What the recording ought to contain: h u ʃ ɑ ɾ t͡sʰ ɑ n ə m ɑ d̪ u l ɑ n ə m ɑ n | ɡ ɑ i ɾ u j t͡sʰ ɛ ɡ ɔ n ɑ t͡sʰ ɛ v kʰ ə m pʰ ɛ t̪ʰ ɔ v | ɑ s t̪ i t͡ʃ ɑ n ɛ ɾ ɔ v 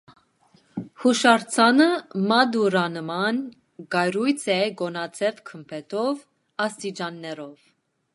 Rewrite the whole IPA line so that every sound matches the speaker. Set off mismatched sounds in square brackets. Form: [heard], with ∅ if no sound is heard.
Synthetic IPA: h u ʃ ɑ ɾ t͡sʰ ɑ n ə m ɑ d̪ u [ɾ] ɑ n ə m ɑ n | ɡ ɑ [j] ɾ u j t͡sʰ ɛ ɡ ɔ n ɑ t͡sʰ ɛ v kʰ ə m pʰ ɛ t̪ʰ ɔ v | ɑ s t̪ i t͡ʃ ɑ [nː] ɛ ɾ ɔ v